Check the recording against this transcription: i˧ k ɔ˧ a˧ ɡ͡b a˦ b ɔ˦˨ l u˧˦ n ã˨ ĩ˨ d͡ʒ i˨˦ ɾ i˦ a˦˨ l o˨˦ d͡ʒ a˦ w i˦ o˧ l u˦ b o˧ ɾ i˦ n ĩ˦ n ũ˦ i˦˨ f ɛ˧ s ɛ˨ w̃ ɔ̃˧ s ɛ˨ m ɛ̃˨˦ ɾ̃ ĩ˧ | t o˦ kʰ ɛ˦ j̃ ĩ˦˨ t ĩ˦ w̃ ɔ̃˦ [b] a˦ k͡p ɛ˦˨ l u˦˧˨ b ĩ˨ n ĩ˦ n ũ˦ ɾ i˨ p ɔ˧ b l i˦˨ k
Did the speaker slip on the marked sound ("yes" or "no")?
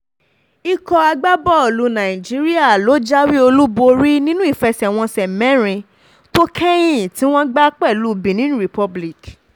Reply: yes